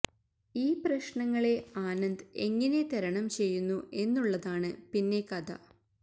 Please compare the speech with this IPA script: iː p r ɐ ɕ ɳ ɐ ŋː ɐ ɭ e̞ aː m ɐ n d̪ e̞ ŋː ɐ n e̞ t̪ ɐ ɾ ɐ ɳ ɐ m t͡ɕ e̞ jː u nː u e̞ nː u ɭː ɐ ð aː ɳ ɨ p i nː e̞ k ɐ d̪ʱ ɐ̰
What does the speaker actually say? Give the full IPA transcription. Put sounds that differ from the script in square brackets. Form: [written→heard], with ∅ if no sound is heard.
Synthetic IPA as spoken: iː p r ɐ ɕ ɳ ɐ ŋː ɐ ɭ e̞ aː [m→n] ɐ n d̪ e̞ ŋː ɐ n e̞ t̪ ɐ ɾ ɐ ɳ ɐ m t͡ɕ e̞ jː u nː u e̞ nː u ɭː ɐ ð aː ɳ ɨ p i nː e̞ k ɐ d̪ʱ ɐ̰